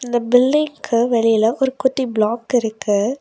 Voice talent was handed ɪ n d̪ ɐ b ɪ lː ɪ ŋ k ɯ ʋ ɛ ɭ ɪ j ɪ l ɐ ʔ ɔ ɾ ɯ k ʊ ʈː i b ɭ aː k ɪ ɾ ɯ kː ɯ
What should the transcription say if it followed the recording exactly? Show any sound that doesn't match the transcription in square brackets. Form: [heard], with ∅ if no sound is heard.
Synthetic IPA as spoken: ɪ n d̪ ɐ b ɪ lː ɪ ŋ k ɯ ʋ ɛ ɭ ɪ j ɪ l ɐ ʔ ɔ ɾ ɯ k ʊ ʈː i b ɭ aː k ɪ ɾ ɯ kː ɯ